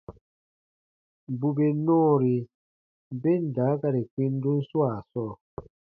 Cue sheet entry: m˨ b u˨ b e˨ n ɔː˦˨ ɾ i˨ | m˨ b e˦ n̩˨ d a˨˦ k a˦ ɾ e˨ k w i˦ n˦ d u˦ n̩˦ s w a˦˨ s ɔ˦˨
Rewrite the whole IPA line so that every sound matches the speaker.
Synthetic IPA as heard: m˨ b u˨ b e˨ n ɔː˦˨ ɾ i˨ | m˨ b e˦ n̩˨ d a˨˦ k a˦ ɾ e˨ k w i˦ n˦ d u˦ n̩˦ s w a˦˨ s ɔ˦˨